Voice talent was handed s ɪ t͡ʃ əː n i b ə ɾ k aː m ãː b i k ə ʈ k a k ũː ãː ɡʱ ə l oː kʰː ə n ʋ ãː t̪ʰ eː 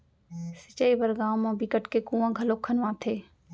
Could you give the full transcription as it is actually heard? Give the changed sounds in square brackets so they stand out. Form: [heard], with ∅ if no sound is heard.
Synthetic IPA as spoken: s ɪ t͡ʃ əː [∅] i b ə ɾ [ɡ] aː m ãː b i k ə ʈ k [e] k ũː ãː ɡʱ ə l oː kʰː ə n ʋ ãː t̪ʰ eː